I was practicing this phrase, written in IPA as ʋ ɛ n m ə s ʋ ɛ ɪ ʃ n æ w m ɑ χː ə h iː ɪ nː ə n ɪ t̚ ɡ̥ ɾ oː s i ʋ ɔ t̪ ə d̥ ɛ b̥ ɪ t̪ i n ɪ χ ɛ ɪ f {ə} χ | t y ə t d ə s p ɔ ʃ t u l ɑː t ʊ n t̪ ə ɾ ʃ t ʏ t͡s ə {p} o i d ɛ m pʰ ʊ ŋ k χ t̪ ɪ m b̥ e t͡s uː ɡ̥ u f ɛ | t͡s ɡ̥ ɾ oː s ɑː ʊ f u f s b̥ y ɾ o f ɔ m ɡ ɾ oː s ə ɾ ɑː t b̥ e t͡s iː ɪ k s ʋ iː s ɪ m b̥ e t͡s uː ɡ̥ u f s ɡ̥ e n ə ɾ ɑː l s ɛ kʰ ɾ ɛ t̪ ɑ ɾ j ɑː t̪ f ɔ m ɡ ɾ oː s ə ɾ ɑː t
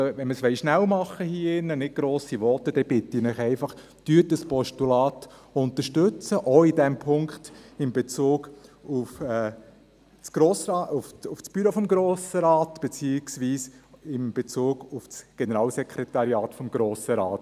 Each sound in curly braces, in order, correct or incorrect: incorrect: ɑ, incorrect: ʔ

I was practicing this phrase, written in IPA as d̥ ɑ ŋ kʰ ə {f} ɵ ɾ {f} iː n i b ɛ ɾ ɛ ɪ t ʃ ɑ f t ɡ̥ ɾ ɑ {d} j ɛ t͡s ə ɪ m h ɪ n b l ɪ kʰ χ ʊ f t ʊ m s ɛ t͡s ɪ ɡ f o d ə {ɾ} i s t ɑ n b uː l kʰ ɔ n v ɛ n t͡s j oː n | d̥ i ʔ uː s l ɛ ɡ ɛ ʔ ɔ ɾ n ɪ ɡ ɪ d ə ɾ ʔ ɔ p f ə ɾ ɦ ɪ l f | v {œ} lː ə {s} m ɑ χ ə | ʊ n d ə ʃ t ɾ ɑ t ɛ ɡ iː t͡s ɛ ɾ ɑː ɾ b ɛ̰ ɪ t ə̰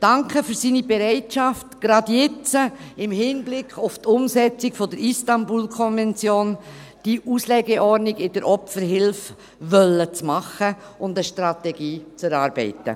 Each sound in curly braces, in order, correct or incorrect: correct, incorrect: s, correct, correct, correct, incorrect: t͡s

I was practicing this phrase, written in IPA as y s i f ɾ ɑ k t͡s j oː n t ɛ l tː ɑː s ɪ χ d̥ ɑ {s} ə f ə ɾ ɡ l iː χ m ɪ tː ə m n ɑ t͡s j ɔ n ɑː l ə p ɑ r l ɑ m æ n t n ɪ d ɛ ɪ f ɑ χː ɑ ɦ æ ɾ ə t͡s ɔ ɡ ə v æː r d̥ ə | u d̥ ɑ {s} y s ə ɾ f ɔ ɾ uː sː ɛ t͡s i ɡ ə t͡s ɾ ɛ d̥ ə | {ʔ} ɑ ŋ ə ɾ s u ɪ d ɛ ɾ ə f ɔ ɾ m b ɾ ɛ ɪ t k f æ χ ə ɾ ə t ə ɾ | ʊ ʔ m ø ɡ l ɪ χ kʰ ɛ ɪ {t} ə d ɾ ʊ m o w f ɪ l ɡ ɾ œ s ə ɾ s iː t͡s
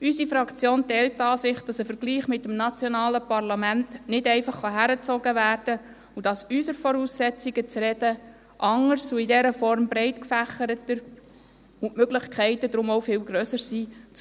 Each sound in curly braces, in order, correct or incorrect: correct, correct, correct, correct

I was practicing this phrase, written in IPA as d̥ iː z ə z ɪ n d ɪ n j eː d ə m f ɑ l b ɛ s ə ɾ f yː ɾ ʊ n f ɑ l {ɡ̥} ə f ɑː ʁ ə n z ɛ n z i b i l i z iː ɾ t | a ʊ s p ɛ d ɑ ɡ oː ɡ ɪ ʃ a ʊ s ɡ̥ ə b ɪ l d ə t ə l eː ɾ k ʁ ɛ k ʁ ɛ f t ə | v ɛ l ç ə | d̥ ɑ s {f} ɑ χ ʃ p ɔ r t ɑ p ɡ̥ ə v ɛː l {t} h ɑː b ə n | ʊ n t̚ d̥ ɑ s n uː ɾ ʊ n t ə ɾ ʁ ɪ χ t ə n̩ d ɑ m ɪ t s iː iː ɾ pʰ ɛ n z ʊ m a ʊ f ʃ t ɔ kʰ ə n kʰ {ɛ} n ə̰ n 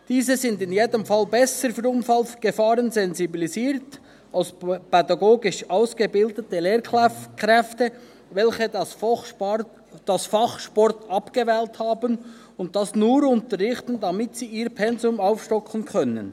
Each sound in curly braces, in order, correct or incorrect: correct, correct, correct, incorrect: œ

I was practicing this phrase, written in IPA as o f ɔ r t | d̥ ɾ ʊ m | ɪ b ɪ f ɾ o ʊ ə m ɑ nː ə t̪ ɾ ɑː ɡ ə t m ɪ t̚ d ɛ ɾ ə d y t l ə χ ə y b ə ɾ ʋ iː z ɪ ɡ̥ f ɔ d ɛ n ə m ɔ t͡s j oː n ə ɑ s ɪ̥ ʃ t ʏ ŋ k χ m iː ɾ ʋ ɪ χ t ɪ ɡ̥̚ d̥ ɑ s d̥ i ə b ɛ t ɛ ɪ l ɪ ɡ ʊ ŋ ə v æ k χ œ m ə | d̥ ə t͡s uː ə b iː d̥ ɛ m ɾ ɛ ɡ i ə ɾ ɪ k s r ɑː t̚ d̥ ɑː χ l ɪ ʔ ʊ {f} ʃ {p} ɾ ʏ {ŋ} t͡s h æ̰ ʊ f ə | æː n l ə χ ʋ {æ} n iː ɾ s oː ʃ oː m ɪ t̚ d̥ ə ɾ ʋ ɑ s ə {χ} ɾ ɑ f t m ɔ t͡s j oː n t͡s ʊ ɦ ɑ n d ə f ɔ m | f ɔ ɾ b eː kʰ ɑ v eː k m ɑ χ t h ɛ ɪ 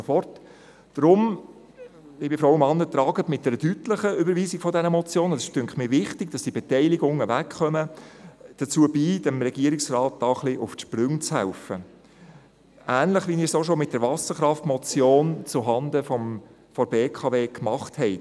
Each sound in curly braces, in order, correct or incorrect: correct, correct, correct, incorrect: i, correct

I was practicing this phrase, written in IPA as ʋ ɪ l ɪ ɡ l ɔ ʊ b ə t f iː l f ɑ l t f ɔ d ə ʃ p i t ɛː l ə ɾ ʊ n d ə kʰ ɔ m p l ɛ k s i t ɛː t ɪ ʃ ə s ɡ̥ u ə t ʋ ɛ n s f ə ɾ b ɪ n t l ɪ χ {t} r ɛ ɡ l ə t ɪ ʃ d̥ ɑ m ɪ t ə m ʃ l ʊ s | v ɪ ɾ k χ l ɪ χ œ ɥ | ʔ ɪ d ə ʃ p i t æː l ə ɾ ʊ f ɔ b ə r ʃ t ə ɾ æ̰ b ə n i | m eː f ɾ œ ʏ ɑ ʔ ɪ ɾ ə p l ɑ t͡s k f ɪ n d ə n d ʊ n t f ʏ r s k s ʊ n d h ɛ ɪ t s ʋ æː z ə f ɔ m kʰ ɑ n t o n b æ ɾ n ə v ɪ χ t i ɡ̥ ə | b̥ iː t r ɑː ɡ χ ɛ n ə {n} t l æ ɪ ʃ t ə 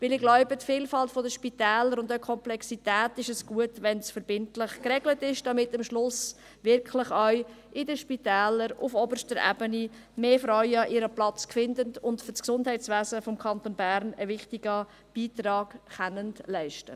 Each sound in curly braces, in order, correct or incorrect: incorrect: k, correct

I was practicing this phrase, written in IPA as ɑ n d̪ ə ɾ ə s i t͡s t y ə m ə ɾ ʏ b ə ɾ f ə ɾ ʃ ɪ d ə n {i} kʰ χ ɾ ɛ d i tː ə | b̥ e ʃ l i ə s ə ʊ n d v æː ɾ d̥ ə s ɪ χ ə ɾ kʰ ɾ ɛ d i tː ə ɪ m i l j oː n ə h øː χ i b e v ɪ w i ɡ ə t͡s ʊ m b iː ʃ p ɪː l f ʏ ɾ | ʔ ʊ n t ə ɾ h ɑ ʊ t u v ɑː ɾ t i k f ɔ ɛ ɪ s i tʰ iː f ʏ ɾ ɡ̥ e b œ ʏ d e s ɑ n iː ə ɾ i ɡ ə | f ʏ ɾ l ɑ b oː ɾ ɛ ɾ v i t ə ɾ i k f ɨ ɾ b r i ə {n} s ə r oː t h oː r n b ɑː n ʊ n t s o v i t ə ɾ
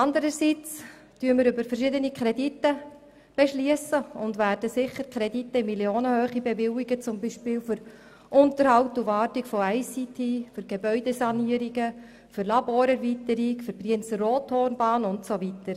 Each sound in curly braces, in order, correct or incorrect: correct, correct

